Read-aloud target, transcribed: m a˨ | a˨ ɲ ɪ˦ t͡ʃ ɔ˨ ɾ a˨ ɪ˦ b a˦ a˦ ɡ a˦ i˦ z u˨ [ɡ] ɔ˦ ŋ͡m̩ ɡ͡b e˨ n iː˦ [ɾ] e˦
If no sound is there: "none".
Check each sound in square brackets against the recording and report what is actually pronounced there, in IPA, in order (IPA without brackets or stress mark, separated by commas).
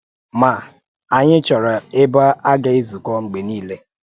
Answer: k, l